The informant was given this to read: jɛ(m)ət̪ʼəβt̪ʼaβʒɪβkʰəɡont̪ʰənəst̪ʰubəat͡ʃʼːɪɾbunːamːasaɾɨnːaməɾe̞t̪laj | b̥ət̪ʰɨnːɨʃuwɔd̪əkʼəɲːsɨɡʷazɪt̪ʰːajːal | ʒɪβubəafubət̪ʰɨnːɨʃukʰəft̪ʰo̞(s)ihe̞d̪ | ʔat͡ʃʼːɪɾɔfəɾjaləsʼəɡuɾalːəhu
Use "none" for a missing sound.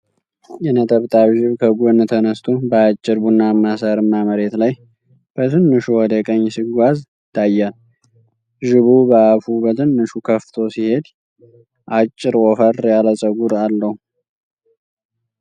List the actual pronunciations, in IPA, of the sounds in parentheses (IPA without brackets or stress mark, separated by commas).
n, s